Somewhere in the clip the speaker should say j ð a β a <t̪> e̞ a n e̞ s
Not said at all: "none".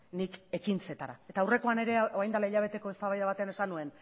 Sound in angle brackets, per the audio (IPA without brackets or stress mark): t̪